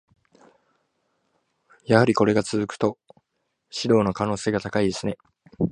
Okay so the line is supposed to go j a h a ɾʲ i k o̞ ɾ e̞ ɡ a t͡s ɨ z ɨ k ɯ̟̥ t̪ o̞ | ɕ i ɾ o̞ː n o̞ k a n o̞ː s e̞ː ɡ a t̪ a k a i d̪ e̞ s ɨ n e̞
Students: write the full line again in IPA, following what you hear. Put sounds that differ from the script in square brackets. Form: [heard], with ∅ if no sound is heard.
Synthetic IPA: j a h a ɾʲ i k o̞ ɾ e̞ ɡ a t͡s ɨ z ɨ k ɯ̟̥ t̪ o̞ | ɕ i ɾ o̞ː n o̞ k a n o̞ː s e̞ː ɡ a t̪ a k a i d̪ e̞ s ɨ n e̞